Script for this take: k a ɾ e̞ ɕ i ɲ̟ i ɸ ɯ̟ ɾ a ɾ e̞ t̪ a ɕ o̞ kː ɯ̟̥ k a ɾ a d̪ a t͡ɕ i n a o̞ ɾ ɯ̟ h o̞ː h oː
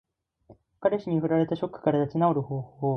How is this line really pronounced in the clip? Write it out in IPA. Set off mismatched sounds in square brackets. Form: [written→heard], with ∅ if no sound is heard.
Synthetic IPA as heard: k a ɾ e̞ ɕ i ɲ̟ i ɸ ɯ̟ ɾ a ɾ e̞ t̪ a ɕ o̞ kː ɯ̟̥ k a ɾ a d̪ a t͡ɕ i n a o̞ ɾ ɯ̟ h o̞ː h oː